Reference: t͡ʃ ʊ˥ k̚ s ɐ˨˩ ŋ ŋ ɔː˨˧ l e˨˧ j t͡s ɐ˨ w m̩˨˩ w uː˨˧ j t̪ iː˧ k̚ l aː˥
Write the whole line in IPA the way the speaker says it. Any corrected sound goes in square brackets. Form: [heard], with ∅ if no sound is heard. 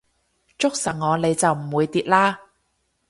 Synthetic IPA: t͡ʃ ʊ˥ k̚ s ɐ˨˩ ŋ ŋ ɔː˨˧ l e˨˧ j t͡s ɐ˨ w m̩˨˩ w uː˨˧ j t̪ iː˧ [t̚] l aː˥